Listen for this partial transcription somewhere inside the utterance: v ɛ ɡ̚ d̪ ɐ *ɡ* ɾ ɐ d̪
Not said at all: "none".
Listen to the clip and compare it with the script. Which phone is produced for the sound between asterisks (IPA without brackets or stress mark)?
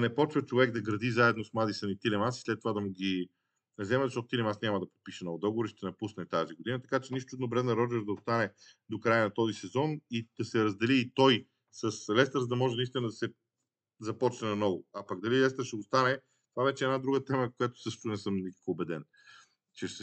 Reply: ɡ